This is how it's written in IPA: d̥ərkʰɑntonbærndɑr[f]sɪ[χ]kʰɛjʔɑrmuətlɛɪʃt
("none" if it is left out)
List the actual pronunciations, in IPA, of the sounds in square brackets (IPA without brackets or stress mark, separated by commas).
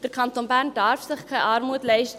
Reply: f, χ